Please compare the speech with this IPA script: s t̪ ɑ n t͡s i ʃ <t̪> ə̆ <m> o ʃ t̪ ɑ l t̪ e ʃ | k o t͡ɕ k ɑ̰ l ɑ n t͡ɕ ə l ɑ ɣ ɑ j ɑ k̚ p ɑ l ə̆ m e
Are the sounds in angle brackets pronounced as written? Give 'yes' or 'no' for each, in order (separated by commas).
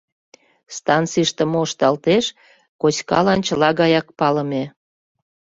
yes, yes